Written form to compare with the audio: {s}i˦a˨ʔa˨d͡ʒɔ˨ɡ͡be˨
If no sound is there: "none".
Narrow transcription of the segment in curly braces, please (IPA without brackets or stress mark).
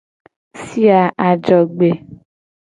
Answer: s